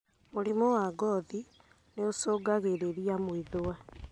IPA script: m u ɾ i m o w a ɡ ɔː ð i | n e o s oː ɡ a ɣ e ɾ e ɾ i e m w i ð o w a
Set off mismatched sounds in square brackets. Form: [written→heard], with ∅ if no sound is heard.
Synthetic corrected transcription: m [u→o] ɾ i m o w a ɡ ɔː ð i | n e o s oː ɡ a ɣ e ɾ e ɾ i [e→a] m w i ð o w a